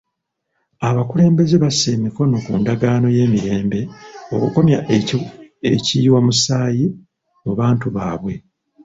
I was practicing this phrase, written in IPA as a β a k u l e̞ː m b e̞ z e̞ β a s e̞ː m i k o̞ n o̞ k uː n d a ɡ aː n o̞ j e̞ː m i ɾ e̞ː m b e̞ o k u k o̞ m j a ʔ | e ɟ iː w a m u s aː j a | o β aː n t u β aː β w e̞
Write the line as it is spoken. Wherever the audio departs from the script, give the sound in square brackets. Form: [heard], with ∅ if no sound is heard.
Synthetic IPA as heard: a β a k u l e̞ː m b e̞ z e̞ β a s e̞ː m i k o̞ n o̞ k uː n d a ɡ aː n o̞ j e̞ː m i ɾ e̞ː m b e̞ o k u k o̞ m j a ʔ | e [c] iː w a m u s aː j [i] | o β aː n t u β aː β w e̞

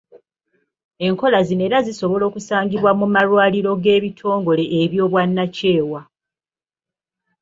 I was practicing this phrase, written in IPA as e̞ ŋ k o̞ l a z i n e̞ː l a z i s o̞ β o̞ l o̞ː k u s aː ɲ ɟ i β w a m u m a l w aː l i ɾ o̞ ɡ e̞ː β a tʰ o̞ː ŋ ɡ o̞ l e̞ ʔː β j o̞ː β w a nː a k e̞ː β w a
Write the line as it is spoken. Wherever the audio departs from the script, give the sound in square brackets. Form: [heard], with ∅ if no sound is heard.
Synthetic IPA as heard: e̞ ŋ k o̞ l a z i n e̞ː [ɾ] a z i s o̞ β o̞ l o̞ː k u s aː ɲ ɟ i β w a m u m a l w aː l i ɾ o̞ ɡ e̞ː β [i] tʰ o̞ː ŋ ɡ o̞ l e̞ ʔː β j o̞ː β w a nː a [c] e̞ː [∅] w a

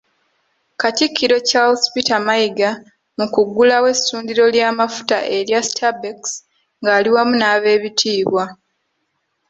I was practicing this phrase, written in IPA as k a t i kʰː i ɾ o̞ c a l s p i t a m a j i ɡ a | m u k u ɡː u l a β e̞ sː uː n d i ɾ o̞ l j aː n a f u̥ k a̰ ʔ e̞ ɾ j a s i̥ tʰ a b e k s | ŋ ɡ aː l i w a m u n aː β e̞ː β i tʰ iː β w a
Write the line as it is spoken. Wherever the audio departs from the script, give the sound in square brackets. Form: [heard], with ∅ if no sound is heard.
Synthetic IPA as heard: k a t i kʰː i ɾ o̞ c a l s p i t a m a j i ɡ a | m u k u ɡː u l a [w] e̞ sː uː n d i ɾ o̞ l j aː [m] a f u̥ [t] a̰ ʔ e̞ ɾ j a s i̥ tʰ a b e k s | ŋ ɡ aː l i w a m u n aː β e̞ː β i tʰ iː β w a

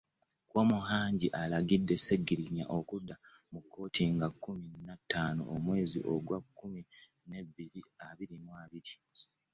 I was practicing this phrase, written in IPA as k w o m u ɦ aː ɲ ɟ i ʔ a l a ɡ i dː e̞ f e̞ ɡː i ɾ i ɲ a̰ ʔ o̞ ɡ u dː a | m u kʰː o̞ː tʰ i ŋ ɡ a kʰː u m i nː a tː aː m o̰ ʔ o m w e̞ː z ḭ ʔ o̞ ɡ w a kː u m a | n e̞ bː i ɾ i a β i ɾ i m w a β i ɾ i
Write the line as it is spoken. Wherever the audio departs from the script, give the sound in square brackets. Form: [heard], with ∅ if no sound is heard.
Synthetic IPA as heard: k w o m u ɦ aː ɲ ɟ i ʔ a l a ɡ i dː e̞ [s] e̞ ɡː i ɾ i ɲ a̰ ʔ o̞ [k] u dː a | m u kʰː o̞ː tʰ i ŋ ɡ a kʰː u m i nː a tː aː [n] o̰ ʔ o m w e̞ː z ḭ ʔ o̞ ɡ w a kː u m [i] | n e̞ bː i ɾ i a β i ɾ i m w a β i ɾ i

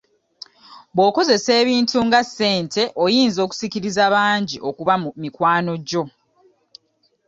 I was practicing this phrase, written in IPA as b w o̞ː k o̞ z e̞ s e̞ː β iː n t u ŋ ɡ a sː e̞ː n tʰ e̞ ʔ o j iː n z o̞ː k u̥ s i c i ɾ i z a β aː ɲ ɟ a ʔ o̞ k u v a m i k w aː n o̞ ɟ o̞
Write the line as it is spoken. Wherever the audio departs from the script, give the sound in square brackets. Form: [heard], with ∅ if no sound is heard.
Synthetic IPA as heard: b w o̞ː k o̞ z e̞ s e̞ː β iː n t u ŋ ɡ a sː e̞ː n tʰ e̞ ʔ o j iː n z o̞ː k u̥ s i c i ɾ i z a β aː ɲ ɟ [i] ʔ o̞ k u [β] a m i k w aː n o̞ ɟ o̞

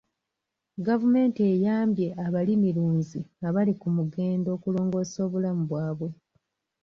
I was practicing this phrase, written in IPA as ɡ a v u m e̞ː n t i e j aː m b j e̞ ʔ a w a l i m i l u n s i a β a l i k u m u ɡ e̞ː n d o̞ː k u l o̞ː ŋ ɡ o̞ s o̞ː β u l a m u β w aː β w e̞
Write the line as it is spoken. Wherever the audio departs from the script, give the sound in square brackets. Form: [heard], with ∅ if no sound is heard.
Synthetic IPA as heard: ɡ a v u m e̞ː n t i e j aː m b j e̞ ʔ a [β] a l i m i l [uː] n [z] i a β a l i k u m u ɡ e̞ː n d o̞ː k u l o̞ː ŋ ɡ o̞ s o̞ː β u l a m u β w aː β w e̞

